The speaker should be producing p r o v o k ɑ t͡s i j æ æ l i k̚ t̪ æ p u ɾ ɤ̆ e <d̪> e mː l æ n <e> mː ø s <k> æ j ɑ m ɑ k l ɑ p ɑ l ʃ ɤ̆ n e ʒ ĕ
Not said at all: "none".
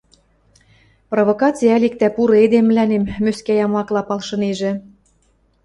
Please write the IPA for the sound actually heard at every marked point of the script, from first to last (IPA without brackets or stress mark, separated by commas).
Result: d̪, e, k